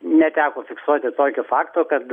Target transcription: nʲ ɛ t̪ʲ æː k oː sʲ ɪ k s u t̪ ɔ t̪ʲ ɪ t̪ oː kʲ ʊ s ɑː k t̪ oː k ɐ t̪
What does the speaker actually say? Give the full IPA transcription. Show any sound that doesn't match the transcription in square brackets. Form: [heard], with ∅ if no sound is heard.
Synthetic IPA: nʲ ɛ t̪ʲ æː k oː [fʲ] ɪ k s u [∅] ɔ t̪ʲ ɪ t̪ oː kʲ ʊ [f] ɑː k t̪ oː k ɐ t̪